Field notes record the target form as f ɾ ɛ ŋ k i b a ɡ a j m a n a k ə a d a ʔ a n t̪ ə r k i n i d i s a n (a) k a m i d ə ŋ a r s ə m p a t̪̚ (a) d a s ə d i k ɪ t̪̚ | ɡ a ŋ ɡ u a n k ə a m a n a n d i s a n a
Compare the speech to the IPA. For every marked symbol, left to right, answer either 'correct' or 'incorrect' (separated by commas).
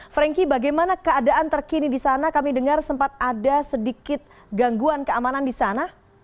correct, correct